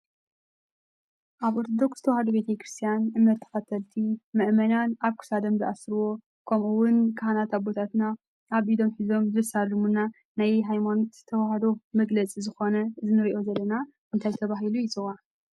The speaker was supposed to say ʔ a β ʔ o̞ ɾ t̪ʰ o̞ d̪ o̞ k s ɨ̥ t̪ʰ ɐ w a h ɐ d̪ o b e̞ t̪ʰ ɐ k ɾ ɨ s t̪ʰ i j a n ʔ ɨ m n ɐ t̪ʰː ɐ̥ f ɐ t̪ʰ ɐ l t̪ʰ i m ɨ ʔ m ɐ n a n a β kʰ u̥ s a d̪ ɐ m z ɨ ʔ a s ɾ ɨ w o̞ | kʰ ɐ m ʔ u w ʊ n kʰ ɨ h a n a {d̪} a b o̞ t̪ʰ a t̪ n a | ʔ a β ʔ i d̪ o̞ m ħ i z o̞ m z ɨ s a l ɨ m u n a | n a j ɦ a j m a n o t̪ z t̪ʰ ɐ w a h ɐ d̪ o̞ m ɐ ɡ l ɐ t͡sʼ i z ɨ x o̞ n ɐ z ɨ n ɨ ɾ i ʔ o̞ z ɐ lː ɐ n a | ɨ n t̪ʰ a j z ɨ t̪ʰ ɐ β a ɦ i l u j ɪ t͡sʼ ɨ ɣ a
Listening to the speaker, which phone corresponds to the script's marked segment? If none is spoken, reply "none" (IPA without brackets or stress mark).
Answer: t̪